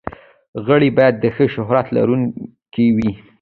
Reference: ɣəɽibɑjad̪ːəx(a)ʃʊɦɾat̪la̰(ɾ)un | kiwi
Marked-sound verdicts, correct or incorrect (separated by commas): incorrect, correct